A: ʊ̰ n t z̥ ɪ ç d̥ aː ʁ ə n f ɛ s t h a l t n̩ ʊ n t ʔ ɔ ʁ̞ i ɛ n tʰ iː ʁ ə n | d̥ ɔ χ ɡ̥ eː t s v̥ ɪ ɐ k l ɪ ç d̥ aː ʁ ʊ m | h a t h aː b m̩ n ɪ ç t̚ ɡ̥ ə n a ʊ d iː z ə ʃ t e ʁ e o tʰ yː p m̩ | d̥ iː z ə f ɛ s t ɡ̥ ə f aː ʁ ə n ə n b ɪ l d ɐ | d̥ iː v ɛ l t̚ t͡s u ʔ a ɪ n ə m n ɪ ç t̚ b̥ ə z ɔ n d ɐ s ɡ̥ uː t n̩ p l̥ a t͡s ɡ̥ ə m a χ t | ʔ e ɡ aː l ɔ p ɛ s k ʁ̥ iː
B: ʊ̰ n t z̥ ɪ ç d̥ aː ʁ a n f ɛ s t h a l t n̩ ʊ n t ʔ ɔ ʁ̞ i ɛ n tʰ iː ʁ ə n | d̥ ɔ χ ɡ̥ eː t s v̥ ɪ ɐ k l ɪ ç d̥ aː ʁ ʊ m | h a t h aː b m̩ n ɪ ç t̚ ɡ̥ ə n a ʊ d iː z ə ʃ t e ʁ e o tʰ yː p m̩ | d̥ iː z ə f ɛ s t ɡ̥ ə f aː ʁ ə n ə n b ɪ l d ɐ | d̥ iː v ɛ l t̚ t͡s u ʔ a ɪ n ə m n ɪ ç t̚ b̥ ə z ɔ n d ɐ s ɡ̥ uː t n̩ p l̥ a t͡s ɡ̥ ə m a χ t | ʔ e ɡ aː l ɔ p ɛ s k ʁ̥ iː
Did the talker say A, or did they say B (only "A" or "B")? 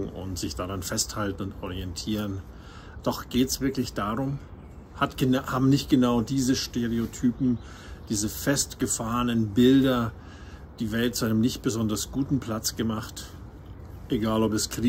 B